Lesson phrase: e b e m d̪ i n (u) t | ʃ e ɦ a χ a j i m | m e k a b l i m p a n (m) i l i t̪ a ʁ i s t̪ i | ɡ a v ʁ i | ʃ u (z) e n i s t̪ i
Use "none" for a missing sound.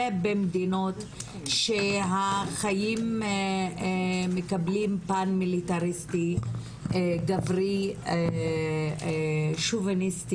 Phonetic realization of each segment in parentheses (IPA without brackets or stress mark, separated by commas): o, m, v